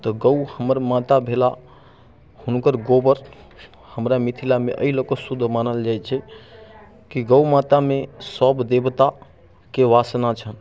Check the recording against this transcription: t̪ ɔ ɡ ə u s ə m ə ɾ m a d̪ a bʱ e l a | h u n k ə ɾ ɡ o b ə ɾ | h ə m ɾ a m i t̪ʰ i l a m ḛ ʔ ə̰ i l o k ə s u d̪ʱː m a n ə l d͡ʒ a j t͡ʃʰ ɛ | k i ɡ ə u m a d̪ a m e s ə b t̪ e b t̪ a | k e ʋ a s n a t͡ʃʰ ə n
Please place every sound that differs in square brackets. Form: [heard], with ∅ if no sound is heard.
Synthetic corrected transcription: t̪ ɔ ɡ ə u [h] ə m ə ɾ m a [t̪] a bʱ e l a | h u n k ə ɾ ɡ o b ə ɾ | h ə m ɾ a m i t̪ʰ i l a m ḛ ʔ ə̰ i l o k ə s u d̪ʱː m a n ə l d͡ʒ a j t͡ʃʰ ɛ | k i ɡ ə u m a [t̪] a m e s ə b [d̪] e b t̪ a | k e ʋ a s n a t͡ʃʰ ə n